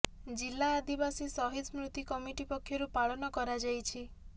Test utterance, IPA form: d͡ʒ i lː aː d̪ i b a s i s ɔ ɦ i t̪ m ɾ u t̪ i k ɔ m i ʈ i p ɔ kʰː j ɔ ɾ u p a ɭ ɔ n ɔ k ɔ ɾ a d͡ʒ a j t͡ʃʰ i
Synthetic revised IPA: d͡ʒ i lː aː d̪ i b a s i s ɔ ɦ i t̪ m ɾ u t̪ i k ɔ m i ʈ i p ɔ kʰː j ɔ ɾ u p a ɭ ɔ n ɔ k ɔ ɾ a d͡ʒ a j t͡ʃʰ i